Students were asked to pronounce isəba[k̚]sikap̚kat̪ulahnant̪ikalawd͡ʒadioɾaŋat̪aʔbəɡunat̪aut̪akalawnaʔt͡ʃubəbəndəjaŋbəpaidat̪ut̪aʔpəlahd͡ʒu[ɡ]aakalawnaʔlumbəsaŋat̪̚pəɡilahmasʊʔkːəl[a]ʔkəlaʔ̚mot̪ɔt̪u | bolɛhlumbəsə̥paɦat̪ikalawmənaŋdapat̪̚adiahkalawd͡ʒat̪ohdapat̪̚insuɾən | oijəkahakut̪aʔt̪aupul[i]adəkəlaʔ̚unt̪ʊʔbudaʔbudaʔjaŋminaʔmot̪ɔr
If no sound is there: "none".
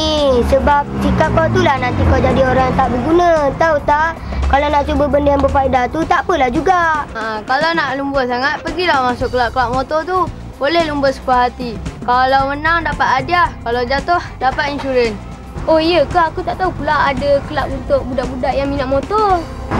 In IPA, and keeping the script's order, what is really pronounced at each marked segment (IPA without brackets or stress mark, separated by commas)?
p̚, ɡ, a, a